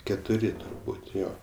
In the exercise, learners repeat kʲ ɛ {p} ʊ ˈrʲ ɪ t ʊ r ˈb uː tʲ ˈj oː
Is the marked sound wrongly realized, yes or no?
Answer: yes